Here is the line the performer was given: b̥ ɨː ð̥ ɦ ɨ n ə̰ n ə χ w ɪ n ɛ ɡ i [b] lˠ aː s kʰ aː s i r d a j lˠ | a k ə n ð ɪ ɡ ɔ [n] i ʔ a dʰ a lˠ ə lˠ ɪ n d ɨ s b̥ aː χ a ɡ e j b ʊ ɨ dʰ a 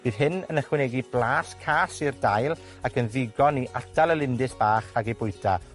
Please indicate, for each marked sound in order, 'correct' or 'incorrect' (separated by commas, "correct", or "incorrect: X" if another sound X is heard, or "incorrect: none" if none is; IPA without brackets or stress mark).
correct, correct